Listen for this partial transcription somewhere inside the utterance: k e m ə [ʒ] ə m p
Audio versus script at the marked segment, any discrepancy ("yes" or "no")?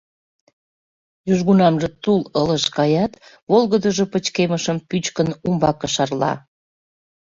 yes